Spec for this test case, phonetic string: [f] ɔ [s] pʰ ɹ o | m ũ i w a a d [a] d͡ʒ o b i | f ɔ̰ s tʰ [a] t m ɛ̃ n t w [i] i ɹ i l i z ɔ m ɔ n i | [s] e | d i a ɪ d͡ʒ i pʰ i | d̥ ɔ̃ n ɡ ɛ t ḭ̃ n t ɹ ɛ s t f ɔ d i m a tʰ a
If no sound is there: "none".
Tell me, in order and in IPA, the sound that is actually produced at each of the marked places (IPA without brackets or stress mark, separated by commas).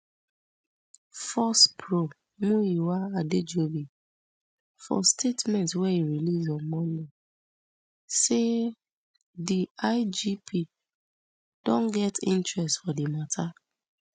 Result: f, s, e, e, ɛ, s